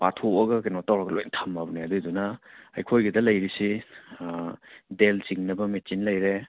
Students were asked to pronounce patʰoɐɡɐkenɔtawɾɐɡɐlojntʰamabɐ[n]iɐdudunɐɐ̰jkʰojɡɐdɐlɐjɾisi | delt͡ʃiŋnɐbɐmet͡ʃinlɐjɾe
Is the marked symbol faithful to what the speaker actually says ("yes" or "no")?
yes